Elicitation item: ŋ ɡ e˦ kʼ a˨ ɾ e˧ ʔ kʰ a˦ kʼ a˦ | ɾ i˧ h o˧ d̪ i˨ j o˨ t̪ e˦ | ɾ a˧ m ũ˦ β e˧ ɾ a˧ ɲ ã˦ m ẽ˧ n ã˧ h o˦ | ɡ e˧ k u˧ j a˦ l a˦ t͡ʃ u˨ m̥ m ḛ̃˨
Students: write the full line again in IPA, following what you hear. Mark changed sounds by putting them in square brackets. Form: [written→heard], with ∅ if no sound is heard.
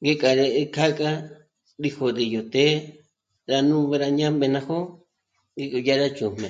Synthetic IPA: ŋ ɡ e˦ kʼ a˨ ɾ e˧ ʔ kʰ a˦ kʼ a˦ | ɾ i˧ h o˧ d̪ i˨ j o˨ t̪ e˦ | ɾ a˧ [m→n] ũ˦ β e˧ ɾ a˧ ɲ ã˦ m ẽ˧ n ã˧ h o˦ | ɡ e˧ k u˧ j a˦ [l→ɾ] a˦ t͡ʃ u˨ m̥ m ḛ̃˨